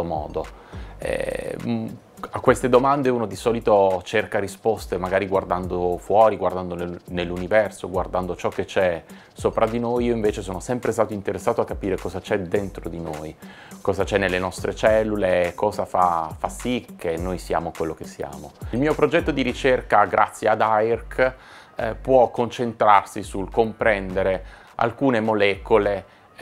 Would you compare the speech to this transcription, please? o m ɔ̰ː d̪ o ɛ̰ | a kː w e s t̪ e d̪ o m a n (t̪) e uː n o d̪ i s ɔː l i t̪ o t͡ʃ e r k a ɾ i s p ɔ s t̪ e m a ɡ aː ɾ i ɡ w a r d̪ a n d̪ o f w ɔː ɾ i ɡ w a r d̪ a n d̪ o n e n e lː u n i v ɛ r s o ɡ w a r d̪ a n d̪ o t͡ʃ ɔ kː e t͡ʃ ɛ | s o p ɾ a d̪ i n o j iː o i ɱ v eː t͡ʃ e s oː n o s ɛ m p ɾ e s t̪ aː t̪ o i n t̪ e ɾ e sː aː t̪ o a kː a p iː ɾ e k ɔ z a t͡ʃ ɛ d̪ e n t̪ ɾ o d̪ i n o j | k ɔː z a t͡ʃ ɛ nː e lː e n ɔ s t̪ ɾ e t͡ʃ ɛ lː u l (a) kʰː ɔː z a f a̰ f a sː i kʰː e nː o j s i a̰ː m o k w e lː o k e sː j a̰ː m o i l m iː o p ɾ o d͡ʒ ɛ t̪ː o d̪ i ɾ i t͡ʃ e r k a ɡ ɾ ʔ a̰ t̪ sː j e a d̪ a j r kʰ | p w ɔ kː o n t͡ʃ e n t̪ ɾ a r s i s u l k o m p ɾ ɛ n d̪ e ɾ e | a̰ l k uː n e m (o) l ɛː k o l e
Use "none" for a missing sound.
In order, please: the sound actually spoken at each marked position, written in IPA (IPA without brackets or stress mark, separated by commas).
d̪, e, o